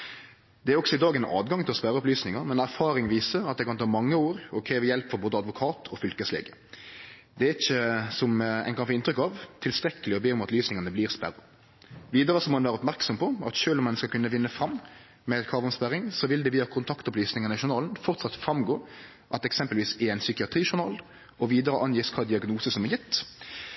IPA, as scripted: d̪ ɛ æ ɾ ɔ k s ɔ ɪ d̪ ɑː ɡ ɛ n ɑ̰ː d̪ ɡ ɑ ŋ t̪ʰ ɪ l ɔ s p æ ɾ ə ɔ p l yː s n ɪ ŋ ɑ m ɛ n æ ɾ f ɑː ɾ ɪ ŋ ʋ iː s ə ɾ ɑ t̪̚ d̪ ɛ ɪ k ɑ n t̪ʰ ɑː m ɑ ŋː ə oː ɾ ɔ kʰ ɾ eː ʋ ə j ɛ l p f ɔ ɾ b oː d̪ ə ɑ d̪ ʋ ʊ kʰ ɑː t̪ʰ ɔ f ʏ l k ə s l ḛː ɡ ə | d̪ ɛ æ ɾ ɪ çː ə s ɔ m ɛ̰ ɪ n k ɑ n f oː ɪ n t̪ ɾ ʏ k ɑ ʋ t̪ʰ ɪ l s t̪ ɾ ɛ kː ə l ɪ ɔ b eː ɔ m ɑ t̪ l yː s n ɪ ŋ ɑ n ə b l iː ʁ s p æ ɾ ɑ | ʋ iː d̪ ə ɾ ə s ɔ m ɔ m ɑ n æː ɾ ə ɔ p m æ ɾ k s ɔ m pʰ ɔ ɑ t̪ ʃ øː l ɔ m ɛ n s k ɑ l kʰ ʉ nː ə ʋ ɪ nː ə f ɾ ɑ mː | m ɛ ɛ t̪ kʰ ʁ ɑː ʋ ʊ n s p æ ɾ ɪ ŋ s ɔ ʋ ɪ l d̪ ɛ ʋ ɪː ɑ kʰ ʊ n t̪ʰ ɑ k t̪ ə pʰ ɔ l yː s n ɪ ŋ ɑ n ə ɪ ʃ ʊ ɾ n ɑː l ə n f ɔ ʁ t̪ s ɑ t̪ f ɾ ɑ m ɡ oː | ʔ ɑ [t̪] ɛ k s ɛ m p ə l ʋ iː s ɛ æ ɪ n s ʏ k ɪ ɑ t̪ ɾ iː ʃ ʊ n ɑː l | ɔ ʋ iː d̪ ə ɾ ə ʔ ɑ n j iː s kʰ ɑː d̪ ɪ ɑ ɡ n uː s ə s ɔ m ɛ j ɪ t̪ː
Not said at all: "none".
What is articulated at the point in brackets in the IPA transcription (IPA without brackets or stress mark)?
t̪